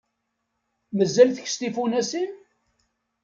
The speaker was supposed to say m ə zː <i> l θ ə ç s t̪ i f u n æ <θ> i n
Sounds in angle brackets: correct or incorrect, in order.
incorrect, incorrect

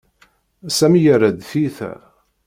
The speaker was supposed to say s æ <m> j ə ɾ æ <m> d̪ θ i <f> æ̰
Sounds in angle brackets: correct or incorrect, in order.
correct, incorrect, incorrect

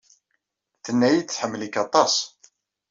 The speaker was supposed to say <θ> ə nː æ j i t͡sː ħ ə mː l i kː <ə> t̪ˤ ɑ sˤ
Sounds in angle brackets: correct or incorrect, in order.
correct, incorrect

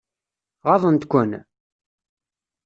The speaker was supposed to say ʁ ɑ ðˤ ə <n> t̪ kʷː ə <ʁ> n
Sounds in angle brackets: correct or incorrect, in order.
correct, incorrect

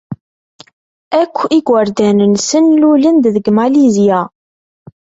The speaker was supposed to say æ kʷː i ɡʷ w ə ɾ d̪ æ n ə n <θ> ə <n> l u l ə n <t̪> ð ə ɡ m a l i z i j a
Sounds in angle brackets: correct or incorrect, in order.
incorrect, correct, incorrect

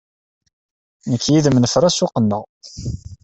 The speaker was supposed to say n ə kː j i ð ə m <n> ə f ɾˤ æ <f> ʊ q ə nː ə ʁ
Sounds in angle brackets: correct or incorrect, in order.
correct, incorrect

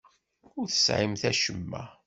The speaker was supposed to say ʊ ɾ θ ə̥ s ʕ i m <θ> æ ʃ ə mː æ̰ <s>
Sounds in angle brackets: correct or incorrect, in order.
correct, incorrect

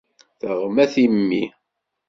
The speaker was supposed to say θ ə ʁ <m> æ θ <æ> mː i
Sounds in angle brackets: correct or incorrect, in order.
correct, incorrect

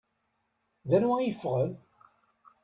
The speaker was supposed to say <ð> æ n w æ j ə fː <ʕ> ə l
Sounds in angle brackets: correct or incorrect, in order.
correct, incorrect

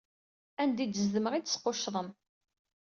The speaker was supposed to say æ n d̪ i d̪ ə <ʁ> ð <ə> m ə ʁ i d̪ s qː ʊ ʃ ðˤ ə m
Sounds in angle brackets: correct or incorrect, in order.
incorrect, correct

